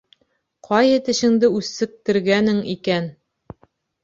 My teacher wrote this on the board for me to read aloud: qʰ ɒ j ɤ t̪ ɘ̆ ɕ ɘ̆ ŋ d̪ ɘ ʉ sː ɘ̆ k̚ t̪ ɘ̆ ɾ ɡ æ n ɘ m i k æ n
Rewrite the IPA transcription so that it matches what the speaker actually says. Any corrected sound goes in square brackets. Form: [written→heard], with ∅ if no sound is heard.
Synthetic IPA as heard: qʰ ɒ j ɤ t̪ ɘ̆ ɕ ɘ̆ ŋ d̪ ɘ ʉ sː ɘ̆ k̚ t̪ ɘ̆ ɾ ɡ æ n ɘ [m→ŋ] i k æ n

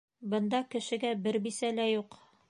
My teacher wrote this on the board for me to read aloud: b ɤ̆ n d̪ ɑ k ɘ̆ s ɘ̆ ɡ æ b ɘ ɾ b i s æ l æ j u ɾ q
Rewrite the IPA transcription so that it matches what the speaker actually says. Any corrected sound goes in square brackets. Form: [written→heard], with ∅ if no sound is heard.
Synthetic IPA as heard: b ɤ̆ n d̪ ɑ k ɘ̆ [s→ʃ] ɘ̆ ɡ æ b ɘ ɾ b i s æ l æ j u [ɾ→∅] q

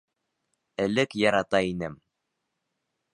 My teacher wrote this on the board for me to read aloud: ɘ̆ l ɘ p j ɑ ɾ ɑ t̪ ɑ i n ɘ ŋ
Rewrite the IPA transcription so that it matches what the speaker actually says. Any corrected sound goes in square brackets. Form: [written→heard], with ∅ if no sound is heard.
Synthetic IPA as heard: ɘ̆ l ɘ [p→k] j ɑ ɾ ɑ t̪ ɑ i n ɘ [ŋ→m]

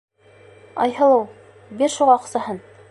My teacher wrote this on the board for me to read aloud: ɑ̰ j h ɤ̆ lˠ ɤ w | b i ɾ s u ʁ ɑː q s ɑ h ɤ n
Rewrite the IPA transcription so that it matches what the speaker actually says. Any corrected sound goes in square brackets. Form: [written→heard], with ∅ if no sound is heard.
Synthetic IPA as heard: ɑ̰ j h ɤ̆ lˠ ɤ w | b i ɾ [s→ʃ] u ʁ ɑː q s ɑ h ɤ n

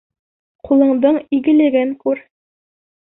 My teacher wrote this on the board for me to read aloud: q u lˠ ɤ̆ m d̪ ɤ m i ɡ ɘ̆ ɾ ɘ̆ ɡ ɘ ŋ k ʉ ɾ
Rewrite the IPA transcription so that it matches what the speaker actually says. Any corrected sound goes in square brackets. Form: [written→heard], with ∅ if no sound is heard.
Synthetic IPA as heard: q u lˠ ɤ̆ [m→ɴ] d̪ ɤ [m→ɴ] i ɡ ɘ̆ [ɾ→l] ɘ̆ ɡ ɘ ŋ k ʉ ɾ

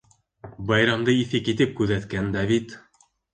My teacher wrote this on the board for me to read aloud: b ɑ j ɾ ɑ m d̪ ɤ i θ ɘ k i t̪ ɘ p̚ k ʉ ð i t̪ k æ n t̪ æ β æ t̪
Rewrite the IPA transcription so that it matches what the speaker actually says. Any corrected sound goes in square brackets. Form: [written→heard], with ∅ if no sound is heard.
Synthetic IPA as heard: b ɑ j ɾ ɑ m d̪ ɤ i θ ɘ k i t̪ ɘ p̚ k ʉ ð [i→æ] t̪ k æ n [t̪→d̪] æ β [æ→i] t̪

